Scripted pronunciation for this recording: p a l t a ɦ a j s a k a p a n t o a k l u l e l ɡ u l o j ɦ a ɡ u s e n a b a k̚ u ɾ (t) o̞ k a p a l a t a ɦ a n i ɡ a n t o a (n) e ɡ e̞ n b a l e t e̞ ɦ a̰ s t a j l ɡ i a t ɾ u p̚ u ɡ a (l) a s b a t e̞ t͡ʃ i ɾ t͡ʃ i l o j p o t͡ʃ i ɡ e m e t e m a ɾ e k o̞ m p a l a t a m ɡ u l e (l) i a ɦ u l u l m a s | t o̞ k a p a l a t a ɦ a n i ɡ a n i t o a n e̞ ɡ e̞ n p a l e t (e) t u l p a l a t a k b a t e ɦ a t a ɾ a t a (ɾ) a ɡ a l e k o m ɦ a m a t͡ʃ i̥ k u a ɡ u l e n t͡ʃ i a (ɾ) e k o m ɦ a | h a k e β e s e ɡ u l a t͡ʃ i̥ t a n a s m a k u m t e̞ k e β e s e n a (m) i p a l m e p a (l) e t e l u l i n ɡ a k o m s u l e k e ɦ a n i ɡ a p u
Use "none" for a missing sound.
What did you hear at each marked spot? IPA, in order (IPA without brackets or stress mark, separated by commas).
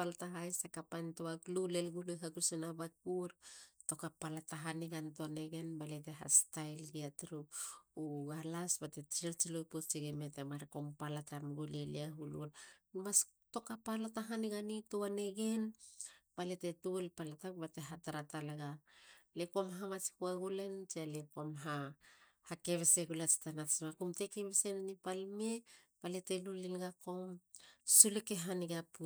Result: t, n, l, l, e, l, l, n, l